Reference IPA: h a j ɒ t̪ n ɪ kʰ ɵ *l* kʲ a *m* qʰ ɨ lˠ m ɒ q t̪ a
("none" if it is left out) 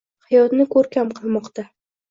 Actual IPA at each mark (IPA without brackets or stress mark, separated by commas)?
ɾ, m